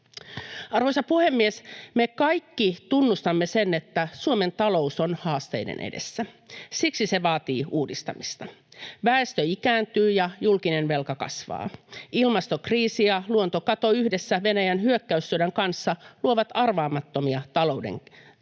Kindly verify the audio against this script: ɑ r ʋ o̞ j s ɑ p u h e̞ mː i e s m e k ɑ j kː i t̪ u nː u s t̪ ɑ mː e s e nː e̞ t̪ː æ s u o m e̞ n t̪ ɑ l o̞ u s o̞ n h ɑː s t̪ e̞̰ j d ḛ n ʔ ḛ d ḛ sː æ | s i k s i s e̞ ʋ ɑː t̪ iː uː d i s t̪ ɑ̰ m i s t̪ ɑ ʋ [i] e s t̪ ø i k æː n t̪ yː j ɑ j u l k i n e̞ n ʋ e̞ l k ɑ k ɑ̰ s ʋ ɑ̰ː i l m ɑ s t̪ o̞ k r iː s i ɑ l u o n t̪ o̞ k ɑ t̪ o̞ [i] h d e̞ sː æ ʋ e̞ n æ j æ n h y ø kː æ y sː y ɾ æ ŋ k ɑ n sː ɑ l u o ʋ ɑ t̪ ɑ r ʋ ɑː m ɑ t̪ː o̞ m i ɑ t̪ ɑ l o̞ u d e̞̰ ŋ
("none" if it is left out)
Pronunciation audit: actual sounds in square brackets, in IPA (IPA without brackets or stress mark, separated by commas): æ, y